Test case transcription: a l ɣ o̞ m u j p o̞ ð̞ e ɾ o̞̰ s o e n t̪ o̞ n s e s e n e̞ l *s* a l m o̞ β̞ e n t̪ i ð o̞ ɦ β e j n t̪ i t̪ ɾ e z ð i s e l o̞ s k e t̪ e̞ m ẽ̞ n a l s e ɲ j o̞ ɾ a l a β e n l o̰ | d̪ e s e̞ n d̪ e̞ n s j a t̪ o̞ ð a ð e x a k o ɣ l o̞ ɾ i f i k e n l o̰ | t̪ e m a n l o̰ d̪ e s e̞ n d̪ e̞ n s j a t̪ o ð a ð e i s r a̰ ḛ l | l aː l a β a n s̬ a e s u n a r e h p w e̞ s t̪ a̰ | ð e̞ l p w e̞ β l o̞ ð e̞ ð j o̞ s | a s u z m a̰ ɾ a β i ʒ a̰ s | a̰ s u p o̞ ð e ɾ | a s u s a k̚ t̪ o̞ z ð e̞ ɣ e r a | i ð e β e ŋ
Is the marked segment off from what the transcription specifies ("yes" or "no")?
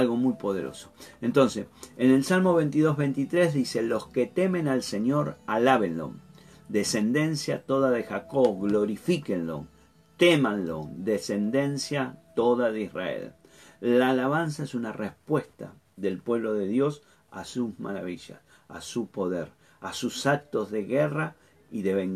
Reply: no